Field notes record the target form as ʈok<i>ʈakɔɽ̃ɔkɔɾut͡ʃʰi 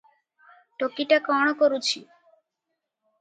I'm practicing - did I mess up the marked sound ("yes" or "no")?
no